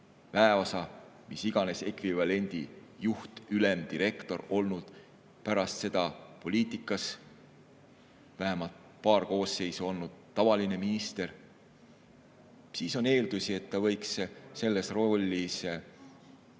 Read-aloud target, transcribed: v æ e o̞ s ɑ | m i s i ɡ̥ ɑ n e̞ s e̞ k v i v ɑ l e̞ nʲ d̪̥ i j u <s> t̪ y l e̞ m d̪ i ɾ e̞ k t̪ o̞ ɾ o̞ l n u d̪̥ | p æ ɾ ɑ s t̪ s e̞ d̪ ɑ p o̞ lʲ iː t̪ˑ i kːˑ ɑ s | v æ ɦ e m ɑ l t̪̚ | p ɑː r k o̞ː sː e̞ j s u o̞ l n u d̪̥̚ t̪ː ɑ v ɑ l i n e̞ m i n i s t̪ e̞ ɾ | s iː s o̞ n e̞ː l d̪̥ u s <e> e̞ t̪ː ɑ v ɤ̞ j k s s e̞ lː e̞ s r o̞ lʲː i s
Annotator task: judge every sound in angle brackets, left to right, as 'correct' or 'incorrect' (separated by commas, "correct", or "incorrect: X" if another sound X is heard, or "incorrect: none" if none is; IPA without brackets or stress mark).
incorrect: h, incorrect: i